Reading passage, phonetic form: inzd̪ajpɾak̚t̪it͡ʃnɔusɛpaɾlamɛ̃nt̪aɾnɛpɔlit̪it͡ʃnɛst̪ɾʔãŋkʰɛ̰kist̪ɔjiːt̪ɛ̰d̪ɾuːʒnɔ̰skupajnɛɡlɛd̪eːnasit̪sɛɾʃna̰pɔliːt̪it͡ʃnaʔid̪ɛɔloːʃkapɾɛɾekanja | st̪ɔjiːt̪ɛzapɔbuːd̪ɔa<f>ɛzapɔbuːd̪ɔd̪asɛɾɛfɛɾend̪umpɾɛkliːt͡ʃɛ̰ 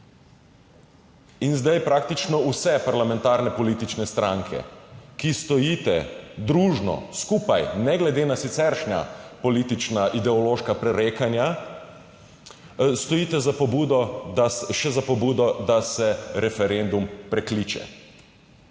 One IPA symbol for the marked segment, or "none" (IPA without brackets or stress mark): ʃ